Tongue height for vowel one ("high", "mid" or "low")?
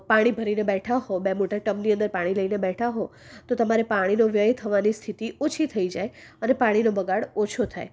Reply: low